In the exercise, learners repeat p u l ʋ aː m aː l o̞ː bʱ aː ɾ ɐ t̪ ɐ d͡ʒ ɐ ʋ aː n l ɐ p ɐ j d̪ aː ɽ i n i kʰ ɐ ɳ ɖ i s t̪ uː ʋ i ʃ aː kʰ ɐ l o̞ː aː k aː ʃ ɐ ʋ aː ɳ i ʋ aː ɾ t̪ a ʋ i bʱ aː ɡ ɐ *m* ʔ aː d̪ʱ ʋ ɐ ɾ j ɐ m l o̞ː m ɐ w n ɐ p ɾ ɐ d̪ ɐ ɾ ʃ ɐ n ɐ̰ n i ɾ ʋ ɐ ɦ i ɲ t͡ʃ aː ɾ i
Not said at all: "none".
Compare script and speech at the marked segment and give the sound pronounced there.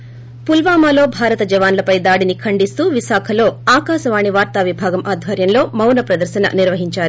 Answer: m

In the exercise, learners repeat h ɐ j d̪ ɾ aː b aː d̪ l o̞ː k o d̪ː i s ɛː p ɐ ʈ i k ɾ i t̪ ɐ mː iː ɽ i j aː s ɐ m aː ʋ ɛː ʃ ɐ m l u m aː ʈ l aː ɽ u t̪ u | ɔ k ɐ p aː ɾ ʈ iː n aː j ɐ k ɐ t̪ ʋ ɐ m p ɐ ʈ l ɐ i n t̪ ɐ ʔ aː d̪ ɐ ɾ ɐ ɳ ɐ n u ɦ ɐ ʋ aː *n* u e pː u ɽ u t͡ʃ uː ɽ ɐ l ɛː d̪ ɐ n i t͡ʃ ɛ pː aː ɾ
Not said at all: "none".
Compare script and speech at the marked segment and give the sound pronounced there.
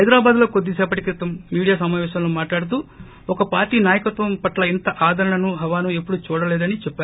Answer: n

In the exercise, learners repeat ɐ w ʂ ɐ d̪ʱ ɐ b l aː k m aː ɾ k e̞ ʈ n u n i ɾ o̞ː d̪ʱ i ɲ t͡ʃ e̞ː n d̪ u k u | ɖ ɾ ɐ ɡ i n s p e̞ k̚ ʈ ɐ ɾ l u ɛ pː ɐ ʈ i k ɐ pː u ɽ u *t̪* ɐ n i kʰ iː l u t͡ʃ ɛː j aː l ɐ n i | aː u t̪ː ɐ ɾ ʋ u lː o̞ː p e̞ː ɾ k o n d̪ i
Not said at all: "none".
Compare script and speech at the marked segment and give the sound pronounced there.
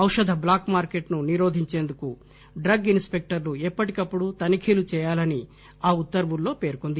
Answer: t̪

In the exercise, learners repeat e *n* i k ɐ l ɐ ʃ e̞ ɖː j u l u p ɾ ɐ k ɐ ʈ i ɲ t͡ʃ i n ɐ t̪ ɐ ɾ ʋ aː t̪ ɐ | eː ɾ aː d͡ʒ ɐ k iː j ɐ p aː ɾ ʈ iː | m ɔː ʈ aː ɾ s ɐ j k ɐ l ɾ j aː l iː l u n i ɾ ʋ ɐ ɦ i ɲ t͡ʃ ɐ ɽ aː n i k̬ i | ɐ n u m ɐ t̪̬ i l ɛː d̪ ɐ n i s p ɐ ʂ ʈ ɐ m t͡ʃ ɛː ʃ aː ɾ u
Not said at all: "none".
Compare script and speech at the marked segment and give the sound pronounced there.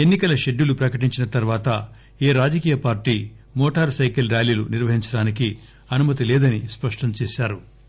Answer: nː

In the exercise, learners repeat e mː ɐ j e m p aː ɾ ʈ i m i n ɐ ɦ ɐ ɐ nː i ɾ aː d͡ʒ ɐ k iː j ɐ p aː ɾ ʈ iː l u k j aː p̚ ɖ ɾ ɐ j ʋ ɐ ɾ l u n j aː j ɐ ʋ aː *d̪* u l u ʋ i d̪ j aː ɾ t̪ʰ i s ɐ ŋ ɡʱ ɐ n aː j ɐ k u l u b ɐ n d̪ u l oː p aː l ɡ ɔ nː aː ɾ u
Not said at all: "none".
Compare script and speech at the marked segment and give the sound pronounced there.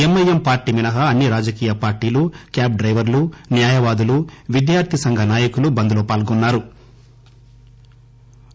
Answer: d̪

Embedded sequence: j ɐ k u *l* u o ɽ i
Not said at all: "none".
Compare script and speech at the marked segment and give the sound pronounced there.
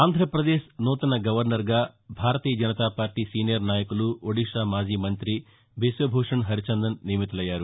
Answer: l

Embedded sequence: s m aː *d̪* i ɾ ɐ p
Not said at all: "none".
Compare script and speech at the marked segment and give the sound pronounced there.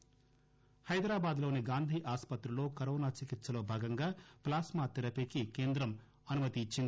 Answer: t̪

